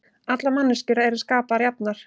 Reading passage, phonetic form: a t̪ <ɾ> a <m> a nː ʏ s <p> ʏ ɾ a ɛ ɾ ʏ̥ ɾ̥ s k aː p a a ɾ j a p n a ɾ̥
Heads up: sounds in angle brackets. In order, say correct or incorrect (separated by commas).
incorrect, correct, incorrect